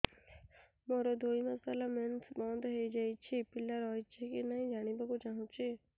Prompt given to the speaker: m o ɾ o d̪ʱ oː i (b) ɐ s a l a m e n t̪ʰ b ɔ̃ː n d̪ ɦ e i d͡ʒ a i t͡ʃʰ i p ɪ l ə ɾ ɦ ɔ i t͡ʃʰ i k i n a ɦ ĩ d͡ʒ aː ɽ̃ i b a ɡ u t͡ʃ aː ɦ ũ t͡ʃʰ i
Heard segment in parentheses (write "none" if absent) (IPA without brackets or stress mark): m